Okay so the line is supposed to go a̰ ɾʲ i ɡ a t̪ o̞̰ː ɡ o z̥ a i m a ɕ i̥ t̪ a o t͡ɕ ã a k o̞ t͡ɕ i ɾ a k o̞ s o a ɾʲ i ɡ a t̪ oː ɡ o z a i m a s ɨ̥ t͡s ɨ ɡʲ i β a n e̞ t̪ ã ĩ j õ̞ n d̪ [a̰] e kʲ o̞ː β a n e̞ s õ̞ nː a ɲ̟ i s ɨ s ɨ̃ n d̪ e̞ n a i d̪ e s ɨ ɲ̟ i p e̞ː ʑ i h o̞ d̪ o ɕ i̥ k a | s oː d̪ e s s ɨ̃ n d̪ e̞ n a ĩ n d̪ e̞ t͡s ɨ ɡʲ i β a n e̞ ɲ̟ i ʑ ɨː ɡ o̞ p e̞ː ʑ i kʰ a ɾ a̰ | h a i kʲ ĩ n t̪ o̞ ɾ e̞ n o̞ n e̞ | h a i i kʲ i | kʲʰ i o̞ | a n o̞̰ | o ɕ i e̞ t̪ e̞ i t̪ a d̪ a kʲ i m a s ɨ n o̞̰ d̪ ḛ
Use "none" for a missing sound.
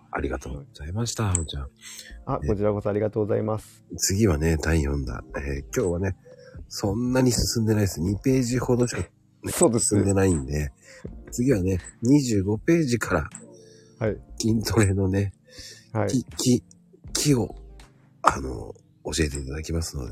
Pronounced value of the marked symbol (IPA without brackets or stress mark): a̰